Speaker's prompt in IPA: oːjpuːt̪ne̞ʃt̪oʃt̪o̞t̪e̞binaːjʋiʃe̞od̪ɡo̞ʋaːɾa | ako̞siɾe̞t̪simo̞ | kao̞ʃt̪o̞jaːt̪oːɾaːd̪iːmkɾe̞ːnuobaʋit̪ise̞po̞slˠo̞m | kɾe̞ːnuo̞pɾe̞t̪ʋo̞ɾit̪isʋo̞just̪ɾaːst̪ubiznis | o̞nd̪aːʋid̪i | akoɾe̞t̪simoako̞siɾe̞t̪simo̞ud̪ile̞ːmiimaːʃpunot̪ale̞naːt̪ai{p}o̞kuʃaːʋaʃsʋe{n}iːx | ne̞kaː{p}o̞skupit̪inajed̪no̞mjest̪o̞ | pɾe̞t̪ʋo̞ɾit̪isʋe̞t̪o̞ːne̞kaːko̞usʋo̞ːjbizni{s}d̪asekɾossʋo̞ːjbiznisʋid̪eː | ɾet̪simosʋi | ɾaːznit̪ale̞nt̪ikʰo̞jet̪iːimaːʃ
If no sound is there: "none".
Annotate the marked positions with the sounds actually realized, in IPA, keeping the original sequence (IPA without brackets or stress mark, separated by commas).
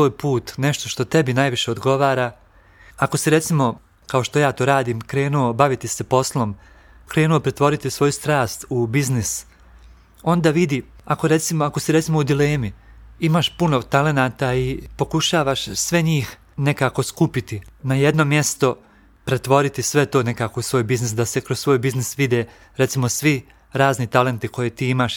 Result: p, ɲ, k, s